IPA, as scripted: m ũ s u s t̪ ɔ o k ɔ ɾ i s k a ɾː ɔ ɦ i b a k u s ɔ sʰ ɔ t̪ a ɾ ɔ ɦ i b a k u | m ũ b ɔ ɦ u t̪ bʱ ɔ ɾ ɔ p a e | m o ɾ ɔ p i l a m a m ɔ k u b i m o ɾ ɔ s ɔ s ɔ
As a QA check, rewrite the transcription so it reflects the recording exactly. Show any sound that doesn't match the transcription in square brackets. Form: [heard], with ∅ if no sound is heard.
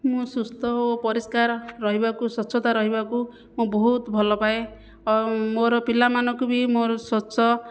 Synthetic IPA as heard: m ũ s u s t̪ ɔ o [p] ɔ ɾ i s k a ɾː ɔ ɦ i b a k u s ɔ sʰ ɔ t̪ a ɾ ɔ ɦ i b a k u | m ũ b ɔ ɦ u t̪ bʱ ɔ [l] ɔ p a e | m o ɾ ɔ p i l a m a [n] ɔ k u b i m o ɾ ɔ s ɔ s ɔ